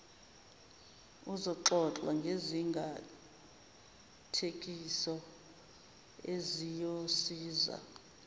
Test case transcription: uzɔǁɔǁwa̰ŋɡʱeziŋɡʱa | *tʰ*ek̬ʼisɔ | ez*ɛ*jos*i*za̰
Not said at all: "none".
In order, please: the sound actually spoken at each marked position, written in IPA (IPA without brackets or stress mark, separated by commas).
tʰ, i, iː